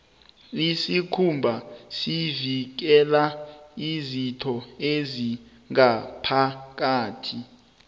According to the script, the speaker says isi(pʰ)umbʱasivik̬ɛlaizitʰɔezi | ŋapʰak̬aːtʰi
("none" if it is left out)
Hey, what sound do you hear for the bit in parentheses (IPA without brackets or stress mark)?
kʰ